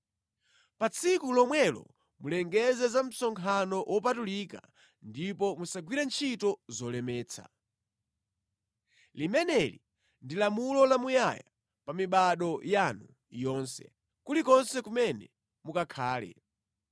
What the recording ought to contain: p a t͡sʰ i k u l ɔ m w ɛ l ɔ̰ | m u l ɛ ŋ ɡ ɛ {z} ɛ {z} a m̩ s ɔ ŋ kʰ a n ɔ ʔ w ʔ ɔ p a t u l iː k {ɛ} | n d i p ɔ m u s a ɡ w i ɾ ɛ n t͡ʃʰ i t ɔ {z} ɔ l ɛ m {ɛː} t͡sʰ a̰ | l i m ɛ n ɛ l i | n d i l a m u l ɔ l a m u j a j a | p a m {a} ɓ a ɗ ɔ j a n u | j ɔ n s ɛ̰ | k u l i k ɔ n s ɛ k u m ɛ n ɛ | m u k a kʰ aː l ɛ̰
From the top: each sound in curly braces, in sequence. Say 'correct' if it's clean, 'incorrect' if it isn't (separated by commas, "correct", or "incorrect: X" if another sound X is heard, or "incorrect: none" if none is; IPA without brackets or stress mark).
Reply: correct, correct, incorrect: a, correct, correct, incorrect: i